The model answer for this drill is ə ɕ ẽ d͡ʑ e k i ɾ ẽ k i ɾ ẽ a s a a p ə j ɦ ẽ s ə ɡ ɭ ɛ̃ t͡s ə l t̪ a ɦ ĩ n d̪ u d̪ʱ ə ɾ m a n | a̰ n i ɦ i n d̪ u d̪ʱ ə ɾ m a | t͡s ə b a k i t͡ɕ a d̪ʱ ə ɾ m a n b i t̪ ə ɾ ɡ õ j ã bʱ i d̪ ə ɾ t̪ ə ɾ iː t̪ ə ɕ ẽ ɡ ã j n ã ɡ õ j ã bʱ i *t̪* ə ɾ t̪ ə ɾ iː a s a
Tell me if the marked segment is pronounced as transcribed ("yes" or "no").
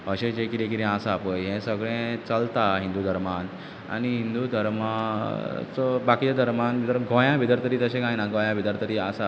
no